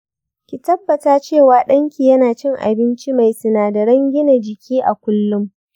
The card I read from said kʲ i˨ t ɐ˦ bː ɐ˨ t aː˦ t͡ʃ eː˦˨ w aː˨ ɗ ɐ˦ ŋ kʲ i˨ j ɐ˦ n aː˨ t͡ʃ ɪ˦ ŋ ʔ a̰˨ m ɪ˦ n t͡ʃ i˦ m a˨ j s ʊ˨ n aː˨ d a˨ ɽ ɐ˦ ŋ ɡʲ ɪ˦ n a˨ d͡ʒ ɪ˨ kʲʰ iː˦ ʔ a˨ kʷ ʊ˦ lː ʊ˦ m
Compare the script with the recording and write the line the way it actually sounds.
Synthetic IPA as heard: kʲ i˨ t ɐ˦ bː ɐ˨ t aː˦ t͡ʃ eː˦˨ w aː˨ ɗ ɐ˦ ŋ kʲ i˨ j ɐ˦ n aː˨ t͡ʃ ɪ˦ ŋ ʔ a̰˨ b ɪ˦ n t͡ʃ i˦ m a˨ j s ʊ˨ n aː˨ d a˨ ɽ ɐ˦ ŋ ɡʲ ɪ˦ n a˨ d͡ʒ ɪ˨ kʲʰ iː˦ ʔ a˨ kʷ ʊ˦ lː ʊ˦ m